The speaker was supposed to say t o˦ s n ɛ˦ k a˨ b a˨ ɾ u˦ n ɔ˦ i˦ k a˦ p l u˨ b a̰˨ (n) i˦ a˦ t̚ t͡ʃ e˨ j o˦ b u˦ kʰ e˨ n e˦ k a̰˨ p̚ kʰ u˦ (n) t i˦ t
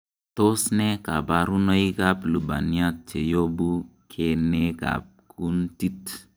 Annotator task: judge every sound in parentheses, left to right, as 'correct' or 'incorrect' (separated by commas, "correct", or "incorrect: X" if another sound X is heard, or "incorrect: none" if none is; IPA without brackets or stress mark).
correct, correct